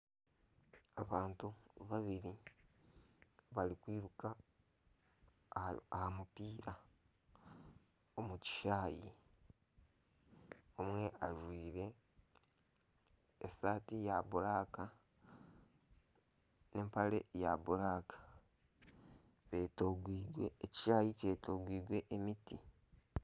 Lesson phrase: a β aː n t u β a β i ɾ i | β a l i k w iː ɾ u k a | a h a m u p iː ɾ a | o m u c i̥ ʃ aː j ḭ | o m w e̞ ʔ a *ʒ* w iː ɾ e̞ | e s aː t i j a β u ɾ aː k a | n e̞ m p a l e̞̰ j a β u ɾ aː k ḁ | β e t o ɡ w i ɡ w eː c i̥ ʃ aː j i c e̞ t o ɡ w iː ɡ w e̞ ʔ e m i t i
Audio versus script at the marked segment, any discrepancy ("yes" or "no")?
no